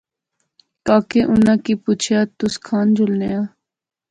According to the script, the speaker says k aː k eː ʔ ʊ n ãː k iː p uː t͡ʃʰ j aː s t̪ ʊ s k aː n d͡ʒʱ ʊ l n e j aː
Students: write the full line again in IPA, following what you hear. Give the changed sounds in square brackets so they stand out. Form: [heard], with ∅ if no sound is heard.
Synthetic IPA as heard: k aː k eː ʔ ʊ n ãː k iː p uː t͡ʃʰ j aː [∅] t̪ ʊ s [kʰ] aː n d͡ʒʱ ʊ l n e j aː